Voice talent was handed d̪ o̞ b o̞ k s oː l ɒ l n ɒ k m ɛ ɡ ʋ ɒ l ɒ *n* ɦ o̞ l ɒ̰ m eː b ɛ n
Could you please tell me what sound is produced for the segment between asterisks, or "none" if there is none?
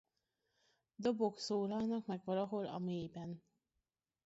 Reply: none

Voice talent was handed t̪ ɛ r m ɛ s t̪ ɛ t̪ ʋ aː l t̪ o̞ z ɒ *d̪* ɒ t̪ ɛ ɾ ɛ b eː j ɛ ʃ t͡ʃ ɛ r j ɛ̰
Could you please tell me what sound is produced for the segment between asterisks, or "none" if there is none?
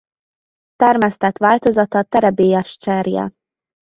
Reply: t̪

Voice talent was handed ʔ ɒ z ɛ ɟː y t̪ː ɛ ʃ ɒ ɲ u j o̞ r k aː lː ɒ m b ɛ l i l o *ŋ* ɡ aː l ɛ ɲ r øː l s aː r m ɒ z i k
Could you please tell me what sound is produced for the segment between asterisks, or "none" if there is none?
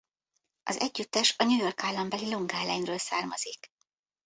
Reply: ŋ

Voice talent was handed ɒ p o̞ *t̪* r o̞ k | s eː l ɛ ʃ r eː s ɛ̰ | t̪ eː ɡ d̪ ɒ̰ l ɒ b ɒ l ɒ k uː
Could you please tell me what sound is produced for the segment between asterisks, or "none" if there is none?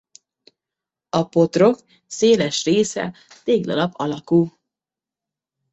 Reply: t̪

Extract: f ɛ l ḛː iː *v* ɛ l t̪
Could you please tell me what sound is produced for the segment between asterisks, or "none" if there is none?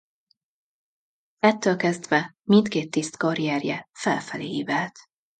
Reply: v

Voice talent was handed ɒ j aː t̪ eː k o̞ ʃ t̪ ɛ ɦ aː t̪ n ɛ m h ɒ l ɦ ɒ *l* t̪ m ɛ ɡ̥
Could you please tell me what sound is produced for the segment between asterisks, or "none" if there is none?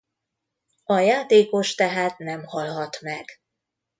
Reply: none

